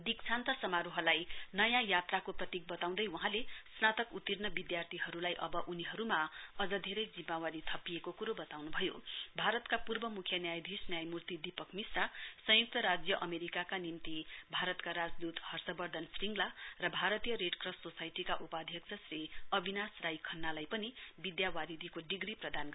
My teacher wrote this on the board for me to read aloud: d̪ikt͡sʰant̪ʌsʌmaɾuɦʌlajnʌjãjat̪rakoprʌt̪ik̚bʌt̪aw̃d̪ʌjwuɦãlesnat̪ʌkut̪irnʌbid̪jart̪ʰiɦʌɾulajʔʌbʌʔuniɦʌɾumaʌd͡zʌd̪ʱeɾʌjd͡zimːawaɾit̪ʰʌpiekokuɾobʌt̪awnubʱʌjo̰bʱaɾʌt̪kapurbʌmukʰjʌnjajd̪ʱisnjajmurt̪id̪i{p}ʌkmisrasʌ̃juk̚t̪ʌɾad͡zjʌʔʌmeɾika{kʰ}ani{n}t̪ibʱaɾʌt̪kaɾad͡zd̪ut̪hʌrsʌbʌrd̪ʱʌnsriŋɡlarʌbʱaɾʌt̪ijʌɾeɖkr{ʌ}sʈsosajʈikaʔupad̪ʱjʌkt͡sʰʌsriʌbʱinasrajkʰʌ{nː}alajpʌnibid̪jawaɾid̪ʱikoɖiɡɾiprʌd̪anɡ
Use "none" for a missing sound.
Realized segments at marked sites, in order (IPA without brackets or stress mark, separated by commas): p, k, m, ʌ, nː